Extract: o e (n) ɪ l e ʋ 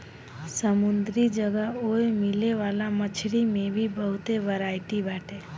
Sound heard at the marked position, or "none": m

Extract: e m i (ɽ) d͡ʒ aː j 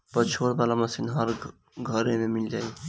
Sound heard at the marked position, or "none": l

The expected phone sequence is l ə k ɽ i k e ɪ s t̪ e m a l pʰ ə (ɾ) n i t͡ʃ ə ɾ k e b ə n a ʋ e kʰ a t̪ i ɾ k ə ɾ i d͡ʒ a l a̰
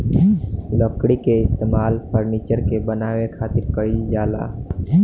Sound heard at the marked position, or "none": ɾ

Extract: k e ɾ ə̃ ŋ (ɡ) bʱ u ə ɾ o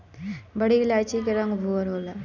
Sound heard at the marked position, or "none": ɡ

